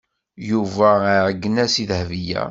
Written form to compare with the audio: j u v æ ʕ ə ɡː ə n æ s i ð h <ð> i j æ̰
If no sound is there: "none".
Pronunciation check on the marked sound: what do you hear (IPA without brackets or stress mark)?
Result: v